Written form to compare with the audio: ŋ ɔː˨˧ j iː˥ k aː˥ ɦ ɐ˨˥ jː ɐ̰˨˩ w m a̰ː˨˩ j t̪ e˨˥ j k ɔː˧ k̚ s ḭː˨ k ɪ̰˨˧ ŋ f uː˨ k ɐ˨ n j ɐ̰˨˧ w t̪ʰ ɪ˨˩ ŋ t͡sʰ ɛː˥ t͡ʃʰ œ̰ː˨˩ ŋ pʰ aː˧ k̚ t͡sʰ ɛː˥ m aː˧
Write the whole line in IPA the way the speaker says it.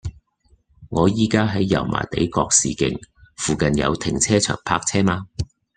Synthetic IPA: ŋ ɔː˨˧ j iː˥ k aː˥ ɦ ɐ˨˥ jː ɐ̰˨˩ w m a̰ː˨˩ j t̪ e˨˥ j k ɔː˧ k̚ s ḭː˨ k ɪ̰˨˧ ŋ f uː˨ k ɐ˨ n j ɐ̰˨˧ w t̪ʰ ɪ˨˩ ŋ t͡sʰ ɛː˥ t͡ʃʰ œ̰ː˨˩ ŋ pʰ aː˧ k̚ t͡sʰ ɛː˥ m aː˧